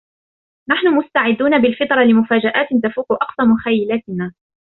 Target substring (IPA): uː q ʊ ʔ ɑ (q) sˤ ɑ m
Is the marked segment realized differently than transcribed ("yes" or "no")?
no